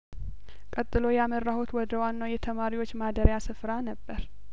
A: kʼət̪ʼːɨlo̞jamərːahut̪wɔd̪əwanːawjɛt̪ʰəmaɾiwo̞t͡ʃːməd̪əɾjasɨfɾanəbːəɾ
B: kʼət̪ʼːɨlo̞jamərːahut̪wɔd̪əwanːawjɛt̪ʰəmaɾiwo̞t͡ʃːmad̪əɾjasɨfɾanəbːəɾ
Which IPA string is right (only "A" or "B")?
B